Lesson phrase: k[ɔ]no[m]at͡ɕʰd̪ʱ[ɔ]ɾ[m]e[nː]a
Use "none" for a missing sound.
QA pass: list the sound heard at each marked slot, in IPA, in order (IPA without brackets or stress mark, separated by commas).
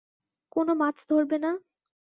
o, m, o, b, n